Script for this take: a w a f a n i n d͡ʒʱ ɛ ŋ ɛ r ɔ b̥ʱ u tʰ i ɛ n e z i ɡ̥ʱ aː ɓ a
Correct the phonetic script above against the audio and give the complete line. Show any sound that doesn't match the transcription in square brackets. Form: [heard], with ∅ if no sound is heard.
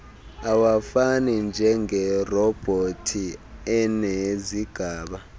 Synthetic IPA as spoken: a w a f a n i n d͡ʒʱ ɛ ŋ ɛ r ɔ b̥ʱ [o] tʰ i ɛ n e z i ɡ̥ʱ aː ɓ a

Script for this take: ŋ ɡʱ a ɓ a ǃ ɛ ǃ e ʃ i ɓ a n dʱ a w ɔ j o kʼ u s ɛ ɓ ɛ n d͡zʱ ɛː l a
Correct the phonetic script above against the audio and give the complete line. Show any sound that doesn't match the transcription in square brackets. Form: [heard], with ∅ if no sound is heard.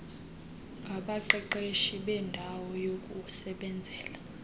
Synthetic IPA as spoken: ŋ ɡʱ a ɓ a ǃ ɛ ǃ e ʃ i ɓ [ɛ] n dʱ a w ɔ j o kʼ u s ɛ ɓ ɛ n d͡zʱ ɛː l a

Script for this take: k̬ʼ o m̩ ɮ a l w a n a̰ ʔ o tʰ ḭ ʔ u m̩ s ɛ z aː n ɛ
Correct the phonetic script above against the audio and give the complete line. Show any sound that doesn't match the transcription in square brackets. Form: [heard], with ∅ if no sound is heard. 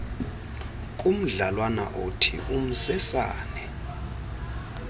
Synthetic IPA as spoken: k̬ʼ [u] m̩ ɮ a l w a n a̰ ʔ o tʰ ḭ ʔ u m̩ s ɛ [s] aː n ɛ

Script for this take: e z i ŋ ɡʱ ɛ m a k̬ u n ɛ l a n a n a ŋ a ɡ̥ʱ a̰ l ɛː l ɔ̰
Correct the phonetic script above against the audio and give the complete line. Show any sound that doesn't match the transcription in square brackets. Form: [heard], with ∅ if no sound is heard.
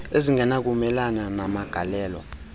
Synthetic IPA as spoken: e z i ŋ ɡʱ ɛ [n] a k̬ u [m] ɛ l a n a n a [m] a ɡ̥ʱ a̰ l ɛː l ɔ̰

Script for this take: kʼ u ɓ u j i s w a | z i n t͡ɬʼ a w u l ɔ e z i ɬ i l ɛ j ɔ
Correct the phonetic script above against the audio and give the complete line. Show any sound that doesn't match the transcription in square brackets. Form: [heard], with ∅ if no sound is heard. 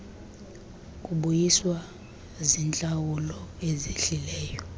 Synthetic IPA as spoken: kʼ u ɓ u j i s w a | z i n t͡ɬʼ a w u l ɔ e z i ɬ i l [ɛː] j ɔ

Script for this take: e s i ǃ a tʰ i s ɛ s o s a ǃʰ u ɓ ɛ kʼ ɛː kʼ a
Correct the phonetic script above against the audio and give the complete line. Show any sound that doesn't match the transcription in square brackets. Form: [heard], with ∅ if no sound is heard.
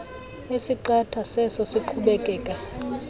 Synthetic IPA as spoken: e s i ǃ a tʰ [a] s ɛ s [ɔ] s [i] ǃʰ u ɓ ɛ kʼ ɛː kʼ a

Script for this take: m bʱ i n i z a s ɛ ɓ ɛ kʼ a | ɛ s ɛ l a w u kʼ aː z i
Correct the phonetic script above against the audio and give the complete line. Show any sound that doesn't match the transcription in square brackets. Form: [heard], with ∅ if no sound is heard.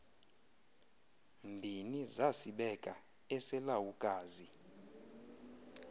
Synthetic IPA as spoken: m bʱ i n i z a s [i] ɓ ɛ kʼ a | ɛ s ɛ l a w u kʼ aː z i

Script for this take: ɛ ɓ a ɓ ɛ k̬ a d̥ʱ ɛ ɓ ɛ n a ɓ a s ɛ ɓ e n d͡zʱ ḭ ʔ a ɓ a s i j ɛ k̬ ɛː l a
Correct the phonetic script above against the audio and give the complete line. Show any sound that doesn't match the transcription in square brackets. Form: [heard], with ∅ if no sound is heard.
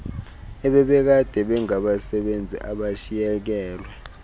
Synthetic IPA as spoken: ɛ ɓ [ɛ] ɓ ɛ k̬ a d̥ʱ ɛ ɓ ɛ [ŋ] a ɓ a s ɛ ɓ e n d͡zʱ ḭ ʔ a ɓ a [ʃ] i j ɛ k̬ ɛː l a

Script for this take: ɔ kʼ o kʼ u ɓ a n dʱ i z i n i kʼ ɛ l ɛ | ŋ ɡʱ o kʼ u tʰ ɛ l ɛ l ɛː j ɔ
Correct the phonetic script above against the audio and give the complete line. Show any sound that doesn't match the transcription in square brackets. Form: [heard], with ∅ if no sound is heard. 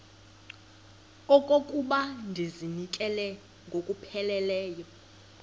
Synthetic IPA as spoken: ɔ kʼ o kʼ u ɓ a n dʱ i z i n i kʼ ɛ l ɛ | ŋ ɡʱ o kʼ u [pʰ] ɛ l ɛ l ɛː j ɔ

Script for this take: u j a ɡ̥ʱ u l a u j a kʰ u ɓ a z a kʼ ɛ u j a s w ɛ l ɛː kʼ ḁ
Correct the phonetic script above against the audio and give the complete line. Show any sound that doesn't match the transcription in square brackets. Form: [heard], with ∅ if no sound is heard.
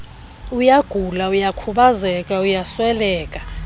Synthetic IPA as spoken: u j a ɡ̥ʱ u l a u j a kʰ u ɓ a z [ɛ] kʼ [a] u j a s w ɛ l ɛː kʼ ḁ

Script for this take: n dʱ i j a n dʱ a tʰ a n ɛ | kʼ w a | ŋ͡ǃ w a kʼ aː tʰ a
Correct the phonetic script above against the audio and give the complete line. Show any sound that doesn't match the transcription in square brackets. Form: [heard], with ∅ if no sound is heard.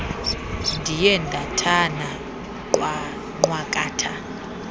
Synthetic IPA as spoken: n dʱ i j [ɛ] n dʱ a tʰ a n [a] | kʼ w a | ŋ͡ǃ w a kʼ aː tʰ a

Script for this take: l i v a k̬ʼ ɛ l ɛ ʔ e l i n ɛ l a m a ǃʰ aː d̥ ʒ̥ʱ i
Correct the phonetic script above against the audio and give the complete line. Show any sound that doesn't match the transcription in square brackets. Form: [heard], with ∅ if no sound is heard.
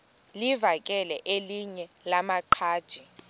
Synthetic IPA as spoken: l i v a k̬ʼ ɛ l ɛ ʔ e l i [ɲ] ɛ l a m a ǃʰ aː d̥ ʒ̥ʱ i

